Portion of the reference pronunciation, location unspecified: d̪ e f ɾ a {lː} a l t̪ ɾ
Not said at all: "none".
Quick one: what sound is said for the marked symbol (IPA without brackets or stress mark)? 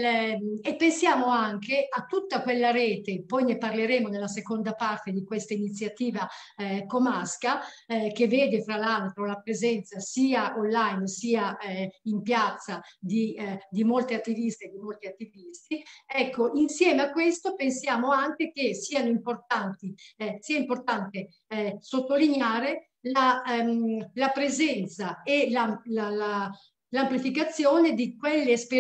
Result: l